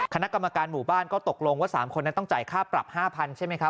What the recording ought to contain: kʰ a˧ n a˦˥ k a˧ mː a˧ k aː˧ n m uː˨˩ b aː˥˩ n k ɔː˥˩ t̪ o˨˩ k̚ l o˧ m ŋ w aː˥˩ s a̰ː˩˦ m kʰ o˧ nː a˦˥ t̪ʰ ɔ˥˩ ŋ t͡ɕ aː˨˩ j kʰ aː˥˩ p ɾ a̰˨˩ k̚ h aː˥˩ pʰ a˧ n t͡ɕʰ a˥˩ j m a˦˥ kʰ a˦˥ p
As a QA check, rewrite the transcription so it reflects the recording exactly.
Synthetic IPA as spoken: kʰ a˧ n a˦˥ k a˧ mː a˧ k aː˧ n m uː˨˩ b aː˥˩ n k ɔː˥˩ t̪ o˨˩ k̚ l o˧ ŋ w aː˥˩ s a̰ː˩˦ m kʰ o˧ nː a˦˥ t̪ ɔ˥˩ ŋ t͡ɕ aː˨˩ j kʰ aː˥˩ p ɾ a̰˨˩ p̚ h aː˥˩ pʰ a˧ n t͡ɕʰ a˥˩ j m a˦˥ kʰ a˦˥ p